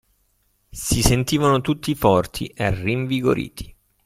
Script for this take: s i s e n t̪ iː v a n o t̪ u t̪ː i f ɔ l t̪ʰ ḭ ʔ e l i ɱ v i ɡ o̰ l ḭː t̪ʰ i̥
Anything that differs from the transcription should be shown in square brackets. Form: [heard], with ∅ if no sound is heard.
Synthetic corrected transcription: s i s e n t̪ iː v a n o t̪ u t̪ː i f ɔ [r] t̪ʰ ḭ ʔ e [r] i ɱ v i ɡ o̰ [ɾ] ḭː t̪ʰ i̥

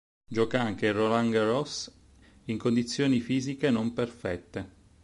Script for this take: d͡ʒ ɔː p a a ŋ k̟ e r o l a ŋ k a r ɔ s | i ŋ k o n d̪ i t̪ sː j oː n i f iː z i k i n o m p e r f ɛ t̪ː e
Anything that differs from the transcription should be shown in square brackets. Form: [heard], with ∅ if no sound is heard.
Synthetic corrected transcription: d͡ʒ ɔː [k] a a ŋ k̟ e r o l a ŋ [ɡ] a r ɔ s | i ŋ k o n d̪ i t̪ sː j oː n i f iː z i k [e] n o m p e r f ɛ t̪ː e

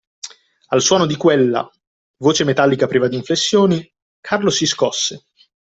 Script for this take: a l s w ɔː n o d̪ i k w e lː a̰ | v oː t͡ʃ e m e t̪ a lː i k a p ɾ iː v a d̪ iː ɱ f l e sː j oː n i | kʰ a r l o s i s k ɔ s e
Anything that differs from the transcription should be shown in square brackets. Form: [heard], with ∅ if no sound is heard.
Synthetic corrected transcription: a l s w ɔː n o d̪ i k w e lː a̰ | v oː t͡ʃ e m e t̪ a lː i k a p ɾ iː v a d̪ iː ɱ f l e sː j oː n i | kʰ a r l o s i s k ɔ [sː] e

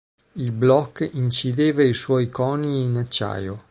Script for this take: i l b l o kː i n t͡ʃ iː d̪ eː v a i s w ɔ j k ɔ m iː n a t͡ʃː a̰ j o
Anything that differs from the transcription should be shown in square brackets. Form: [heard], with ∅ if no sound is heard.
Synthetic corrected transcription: i l b l [ɔ] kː i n t͡ʃ [i] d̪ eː v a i s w ɔ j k ɔ [n] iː n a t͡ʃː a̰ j o

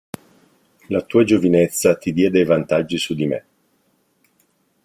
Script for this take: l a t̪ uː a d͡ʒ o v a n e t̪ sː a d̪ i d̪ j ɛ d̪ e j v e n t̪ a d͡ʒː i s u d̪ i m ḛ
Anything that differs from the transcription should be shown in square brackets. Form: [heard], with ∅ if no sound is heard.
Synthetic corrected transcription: l a t̪ uː a d͡ʒ o v [i] n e t̪ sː a [t̪] i d̪ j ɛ d̪ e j v [a] n t̪ a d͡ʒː i s u d̪ i m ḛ

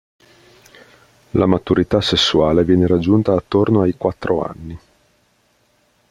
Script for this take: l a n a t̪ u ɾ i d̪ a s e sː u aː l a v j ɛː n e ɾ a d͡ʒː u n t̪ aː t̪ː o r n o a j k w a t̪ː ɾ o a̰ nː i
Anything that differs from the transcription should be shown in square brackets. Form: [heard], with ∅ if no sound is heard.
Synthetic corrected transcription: l a [m] a t̪ u ɾ i [t̪] a s e sː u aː l [e] v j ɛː n e ɾ a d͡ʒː u n t̪ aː t̪ː o r n o a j k w a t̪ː ɾ o a̰ nː i

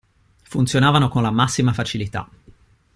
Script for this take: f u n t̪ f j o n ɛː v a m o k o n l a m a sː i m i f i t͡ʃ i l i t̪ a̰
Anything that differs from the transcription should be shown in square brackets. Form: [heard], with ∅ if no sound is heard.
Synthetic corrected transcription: f u n t̪ [s] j o n [aː] v a [n] o k o n l a m a sː i m [a] f [a] t͡ʃ i l i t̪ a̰

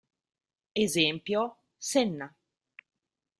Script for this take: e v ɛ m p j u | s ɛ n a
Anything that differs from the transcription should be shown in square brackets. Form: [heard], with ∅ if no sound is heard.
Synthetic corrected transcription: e [z] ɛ m p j [o] | s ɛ [nː] a

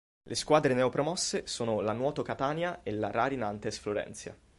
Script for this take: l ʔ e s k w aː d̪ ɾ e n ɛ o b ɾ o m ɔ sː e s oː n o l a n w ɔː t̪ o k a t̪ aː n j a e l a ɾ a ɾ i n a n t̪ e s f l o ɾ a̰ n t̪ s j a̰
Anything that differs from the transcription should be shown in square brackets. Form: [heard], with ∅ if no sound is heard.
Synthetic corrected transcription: l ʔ e s k w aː d̪ ɾ e n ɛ o [p] ɾ o m ɔ sː e s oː n o l a n w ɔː t̪ o k a t̪ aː n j a e l a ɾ a ɾ i n a n t̪ e s f l o ɾ [ɛ̰] n t̪ s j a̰

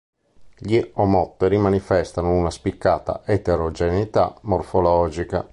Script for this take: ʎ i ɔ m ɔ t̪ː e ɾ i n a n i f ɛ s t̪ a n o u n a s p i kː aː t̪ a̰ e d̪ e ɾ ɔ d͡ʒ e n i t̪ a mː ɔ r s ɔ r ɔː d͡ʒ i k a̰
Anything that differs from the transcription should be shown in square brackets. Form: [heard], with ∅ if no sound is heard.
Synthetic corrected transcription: ʎ i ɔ m ɔ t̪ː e ɾ i [m] a n i f ɛ s t̪ a n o u n a s p i kː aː t̪ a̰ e [t̪] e ɾ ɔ d͡ʒ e n i t̪ a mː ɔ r [f] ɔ [l] ɔː d͡ʒ i k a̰

